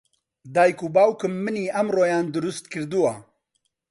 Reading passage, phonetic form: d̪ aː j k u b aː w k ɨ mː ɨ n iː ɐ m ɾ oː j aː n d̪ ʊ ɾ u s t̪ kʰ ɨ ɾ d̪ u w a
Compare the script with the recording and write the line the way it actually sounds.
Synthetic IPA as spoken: d̪ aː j k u b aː w k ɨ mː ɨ n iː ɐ m r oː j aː n d̪ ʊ ɾ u s t̪ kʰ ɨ ɾ d̪ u w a

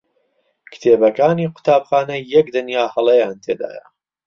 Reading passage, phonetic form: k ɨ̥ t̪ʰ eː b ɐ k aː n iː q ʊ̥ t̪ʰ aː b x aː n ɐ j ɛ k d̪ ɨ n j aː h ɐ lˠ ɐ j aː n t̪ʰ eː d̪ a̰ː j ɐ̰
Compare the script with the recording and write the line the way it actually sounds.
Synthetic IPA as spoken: k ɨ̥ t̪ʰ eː b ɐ k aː n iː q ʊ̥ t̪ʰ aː b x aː n ɐ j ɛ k d̪ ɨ n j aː h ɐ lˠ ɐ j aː n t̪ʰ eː d̪ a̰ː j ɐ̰

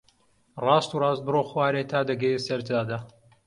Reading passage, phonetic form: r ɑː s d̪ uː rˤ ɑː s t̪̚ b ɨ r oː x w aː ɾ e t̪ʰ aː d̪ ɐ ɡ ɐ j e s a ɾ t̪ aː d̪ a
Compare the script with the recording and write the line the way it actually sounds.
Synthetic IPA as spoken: r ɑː s t̪ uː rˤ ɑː s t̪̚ b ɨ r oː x w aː ɾ e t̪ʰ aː d̪ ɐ ɡ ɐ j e s ɐ ɾ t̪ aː d̪ a

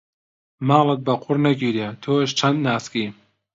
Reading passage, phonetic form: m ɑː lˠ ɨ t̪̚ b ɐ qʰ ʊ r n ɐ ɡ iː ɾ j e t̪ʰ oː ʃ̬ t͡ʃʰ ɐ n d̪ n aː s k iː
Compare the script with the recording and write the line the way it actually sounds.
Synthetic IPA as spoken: m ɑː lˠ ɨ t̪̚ b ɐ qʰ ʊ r n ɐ ɡ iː ɾ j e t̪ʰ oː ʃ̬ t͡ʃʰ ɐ n d̪ n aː s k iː

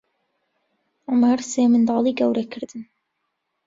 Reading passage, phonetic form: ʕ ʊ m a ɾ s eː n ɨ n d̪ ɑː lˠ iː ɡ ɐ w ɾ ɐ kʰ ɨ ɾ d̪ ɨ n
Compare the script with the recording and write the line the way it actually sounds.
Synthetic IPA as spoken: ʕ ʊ m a ɾ s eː m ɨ n d̪ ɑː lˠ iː ɡ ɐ w ɾ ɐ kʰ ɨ ɾ d̪ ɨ n

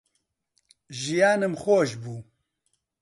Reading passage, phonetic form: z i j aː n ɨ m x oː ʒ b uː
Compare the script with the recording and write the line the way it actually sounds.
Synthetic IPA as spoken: ʒ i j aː n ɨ m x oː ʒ b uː

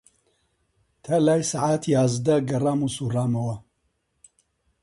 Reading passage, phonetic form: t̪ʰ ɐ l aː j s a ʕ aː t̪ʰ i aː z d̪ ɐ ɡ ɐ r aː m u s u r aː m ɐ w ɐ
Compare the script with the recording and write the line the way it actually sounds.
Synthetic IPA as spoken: t̪ʰ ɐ l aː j s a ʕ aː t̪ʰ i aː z d̪ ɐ ɡ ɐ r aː m u s u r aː m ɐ w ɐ

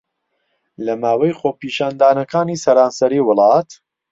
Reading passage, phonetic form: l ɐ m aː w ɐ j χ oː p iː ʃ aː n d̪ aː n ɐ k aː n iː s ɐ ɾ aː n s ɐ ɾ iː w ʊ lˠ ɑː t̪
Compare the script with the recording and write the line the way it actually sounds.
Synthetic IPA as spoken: l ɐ m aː w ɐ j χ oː p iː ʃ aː n d̪ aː n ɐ k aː n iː s ɐ ɾ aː n s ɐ ɾ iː w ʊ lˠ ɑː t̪

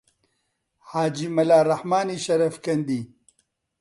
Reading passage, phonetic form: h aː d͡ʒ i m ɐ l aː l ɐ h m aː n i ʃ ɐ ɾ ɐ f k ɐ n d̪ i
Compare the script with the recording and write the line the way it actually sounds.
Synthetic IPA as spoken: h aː d͡ʒ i m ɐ l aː ɾ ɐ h m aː n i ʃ ɐ ɾ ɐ f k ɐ n d̪ i

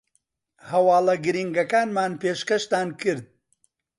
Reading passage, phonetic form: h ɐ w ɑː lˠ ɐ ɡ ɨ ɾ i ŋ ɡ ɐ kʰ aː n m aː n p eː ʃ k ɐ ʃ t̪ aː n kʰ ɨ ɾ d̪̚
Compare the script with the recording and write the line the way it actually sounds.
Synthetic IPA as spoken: h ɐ w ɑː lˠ ɐ ɡ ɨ ɾ i ŋ ɡ ɐ k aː n m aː n p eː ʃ k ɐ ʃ t̪ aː n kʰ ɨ ɾ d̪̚

